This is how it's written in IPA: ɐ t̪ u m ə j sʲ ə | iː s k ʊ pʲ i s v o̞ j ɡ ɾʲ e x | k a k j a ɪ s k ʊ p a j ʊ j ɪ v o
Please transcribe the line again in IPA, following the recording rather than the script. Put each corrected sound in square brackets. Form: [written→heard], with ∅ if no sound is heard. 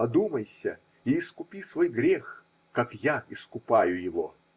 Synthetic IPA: ɐ [t̪→d̪] u m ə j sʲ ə | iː s k ʊ pʲ i s v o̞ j ɡ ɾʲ e x | k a k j a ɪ s k ʊ p a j ʊ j ɪ v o

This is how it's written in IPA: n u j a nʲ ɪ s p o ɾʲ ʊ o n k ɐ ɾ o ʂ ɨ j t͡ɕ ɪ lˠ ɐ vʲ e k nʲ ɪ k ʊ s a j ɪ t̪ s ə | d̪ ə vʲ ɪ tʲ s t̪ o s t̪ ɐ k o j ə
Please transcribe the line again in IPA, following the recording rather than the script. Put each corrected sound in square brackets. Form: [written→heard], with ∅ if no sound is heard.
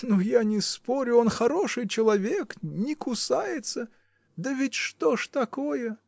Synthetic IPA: n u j a nʲ ɪ s p o ɾʲ ʊ o n [k→x] ɐ ɾ o ʂ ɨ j t͡ɕ ɪ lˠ ɐ vʲ e k nʲ ɪ k ʊ s a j ɪ t̪ s ə | d̪ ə vʲ ɪ tʲ [s→ʂ] t̪ o [s→ʂ] t̪ ɐ k o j ə

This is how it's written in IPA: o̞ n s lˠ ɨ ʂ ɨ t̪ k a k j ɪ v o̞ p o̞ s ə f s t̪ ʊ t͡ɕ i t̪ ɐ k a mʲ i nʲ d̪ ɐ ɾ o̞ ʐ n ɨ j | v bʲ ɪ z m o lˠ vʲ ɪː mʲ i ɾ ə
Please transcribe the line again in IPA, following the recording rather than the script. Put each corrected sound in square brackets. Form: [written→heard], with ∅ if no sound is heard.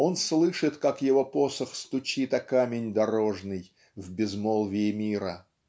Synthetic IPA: o̞ n s lˠ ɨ ʂ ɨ t̪ k a k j ɪ v o̞ p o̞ s ə [f→x] s t̪ ʊ t͡ɕ i t̪ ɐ k a mʲ [i→ɪ] nʲ d̪ ɐ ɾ o̞ ʐ n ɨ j | v bʲ ɪ z m o lˠ vʲ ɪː mʲ i ɾ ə

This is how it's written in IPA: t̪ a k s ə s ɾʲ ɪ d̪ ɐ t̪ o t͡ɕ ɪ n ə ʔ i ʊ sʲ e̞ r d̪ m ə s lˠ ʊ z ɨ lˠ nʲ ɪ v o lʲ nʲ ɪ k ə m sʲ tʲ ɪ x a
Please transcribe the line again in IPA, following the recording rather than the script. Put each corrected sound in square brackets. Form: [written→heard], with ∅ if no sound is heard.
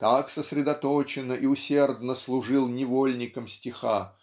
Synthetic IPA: t̪ a k s ə s ɾʲ ɪ d̪ ɐ t̪ o t͡ɕ ɪ n ə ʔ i ʊ sʲ e̞ r d̪ [m→n] ə s lˠ ʊ [z→ʐ] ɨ lˠ nʲ ɪ v o lʲ nʲ ɪ k ə m sʲ tʲ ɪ x a

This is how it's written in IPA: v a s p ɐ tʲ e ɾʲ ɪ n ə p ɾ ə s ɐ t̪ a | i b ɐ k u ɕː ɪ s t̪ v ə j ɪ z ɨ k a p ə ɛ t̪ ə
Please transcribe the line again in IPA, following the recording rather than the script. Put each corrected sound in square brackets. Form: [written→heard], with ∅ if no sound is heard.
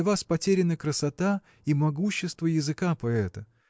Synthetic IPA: v a s p ɐ tʲ e ɾʲ ɪ n ə [p→k] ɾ ə s ɐ t̪ a | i [b→m] ɐ [k→ɡ] u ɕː ɪ s t̪ v ə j ɪ z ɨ k a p [ə→ɐ] ɛ t̪ ə

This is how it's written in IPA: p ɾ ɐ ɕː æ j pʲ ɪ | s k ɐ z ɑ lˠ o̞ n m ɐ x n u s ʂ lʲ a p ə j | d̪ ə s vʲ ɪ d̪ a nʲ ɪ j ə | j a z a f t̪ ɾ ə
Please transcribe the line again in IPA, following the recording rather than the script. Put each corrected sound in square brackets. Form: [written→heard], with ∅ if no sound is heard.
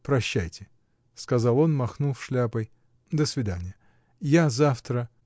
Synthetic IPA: p ɾ ɐ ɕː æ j [pʲ→tʲ] ɪ | s k ɐ z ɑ lˠ o̞ n m ɐ x n u [s→f] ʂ lʲ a p ə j | d̪ ə s vʲ ɪ d̪ a nʲ ɪ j ə | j a z a f t̪ ɾ ə

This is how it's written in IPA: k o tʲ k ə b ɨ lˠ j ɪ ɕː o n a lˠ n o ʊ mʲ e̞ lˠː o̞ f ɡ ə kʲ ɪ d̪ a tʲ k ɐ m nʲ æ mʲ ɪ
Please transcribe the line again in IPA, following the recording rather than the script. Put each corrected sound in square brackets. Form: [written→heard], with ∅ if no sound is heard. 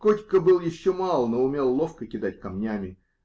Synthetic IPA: k o tʲ k ə b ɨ lˠ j ɪ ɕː o [n→m] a lˠ n o ʊ mʲ e̞ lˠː o̞ f [ɡ→k] ə kʲ ɪ d̪ a tʲ k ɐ m nʲ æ mʲ ɪ

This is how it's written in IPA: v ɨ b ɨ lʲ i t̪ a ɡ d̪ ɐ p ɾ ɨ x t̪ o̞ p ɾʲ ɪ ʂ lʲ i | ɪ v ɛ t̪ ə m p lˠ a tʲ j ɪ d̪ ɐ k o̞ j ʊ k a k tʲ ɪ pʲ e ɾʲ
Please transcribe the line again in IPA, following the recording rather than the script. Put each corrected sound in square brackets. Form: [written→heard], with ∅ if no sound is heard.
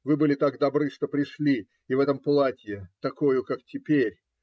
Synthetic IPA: v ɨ b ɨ lʲ [i→ɪ] t̪ a ɡ d̪ ɐ [p→b] ɾ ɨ [x→ʂ] t̪ o̞ p ɾʲ ɪ ʂ lʲ i | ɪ v ɛ t̪ ə m p lˠ a tʲ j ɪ [d̪→t̪] ɐ k o̞ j ʊ k a k tʲ ɪ pʲ e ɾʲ

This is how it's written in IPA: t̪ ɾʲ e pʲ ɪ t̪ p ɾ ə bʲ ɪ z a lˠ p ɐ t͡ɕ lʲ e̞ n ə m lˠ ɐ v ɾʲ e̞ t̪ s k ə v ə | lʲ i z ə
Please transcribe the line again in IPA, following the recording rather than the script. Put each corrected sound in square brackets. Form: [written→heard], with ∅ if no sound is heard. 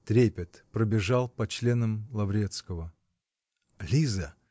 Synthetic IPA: t̪ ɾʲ e pʲ ɪ t̪ p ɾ ə bʲ ɪ [z→ʐ] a lˠ p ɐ t͡ɕ lʲ e̞ n ə m lˠ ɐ v ɾʲ e̞ t̪ s k ə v ə | lʲ i z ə

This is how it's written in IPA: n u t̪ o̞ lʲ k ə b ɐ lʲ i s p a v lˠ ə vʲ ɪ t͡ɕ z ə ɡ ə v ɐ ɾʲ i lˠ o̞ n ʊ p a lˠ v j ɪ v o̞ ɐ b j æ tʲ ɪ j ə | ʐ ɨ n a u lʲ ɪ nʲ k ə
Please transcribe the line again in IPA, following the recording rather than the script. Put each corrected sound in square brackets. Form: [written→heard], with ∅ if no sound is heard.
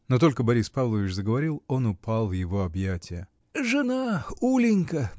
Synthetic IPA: n [u→o] t̪ o̞ lʲ k ə b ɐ [lʲ→ɾʲ] i s p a v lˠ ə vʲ ɪ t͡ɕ z ə ɡ ə v ɐ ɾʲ i lˠ o̞ n ʊ p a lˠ v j ɪ v o̞ ɐ b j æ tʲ ɪ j ə | ʐ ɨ n a u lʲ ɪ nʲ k ə

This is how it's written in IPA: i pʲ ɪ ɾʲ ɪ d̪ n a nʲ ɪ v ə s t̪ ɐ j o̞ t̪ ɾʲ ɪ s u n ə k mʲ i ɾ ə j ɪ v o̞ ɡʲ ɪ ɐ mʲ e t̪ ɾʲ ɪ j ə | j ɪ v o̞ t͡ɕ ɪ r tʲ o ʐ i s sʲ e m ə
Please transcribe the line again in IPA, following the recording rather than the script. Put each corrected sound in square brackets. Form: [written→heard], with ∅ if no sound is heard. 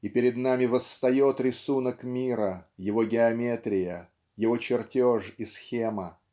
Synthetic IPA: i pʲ ɪ ɾʲ ɪ d̪ n a [nʲ→mʲ] ɪ v ə s t̪ ɐ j o̞ t̪ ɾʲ ɪ s u n ə k mʲ i ɾ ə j ɪ v o̞ ɡʲ ɪ ɐ mʲ e t̪ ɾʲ ɪ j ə | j ɪ v o̞ t͡ɕ ɪ r tʲ o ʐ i s [sʲ→xʲ] e m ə

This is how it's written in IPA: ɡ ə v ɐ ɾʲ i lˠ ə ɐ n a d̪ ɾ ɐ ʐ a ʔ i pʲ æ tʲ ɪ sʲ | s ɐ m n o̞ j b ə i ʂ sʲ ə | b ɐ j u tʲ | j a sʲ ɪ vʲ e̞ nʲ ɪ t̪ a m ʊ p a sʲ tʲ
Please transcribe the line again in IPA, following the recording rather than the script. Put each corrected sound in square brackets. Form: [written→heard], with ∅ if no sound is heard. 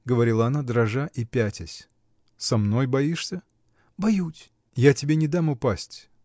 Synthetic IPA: ɡ ə v ɐ ɾʲ i lˠ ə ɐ n a d̪ ɾ ɐ ʐ a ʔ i pʲ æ tʲ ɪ sʲ | s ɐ m n o̞ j b [ə→ɐ] i ʂ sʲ ə | b ɐ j u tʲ | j a [sʲ→tʲ] ɪ [vʲ→bʲ] e̞ nʲ ɪ [t̪→d̪] a m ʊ p a sʲ tʲ

